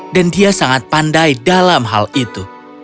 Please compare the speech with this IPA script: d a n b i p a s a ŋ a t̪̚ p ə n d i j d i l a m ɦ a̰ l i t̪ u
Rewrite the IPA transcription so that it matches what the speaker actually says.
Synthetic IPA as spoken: d a n d i a s a ŋ a t̪̚ p a n d a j d a l a m ɦ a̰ l i t̪ u